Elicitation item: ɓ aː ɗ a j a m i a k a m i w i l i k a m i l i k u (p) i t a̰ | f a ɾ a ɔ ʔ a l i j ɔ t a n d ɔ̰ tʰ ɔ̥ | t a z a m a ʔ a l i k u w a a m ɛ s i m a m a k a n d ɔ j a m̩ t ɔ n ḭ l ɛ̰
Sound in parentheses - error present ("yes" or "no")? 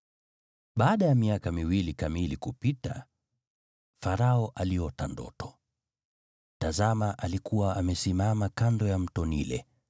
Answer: no